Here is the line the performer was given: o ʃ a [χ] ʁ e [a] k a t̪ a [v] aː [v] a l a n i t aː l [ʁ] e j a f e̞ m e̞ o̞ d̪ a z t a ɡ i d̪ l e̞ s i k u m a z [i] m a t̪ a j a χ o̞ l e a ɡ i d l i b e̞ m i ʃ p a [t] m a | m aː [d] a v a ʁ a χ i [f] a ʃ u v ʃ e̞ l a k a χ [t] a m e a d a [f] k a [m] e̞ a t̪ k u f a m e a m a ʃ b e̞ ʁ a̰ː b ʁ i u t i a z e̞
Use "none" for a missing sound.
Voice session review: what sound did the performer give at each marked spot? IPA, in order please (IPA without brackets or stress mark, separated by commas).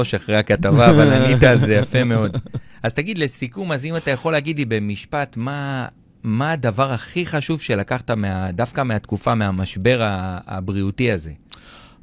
χ, a, v, v, z, i, t, d, χ, t, f, m